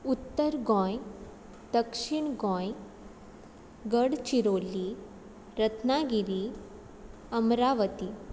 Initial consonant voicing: voiceless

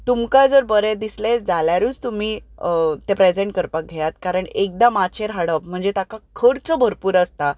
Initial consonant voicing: voiceless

